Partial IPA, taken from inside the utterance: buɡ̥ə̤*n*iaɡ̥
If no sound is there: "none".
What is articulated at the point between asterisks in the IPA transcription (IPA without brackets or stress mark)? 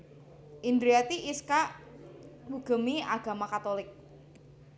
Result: m